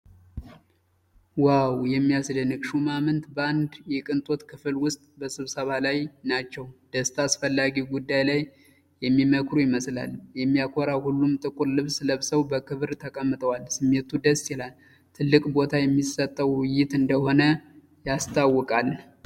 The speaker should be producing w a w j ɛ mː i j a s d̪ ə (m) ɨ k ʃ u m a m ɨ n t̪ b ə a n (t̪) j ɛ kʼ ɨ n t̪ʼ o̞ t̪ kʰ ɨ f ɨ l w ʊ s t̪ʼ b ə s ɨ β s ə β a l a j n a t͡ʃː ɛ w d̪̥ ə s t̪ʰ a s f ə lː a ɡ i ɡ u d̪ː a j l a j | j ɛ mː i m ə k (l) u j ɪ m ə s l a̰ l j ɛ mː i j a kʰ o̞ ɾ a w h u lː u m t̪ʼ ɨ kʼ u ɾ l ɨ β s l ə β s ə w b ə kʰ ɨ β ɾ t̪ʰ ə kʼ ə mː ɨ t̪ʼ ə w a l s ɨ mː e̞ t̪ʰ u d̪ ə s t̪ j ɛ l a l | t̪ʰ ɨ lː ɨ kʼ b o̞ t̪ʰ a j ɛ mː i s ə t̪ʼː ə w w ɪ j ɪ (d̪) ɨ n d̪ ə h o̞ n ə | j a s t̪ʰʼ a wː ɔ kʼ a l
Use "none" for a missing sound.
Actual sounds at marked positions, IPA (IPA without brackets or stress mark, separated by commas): n, d̪, ɾ, t̪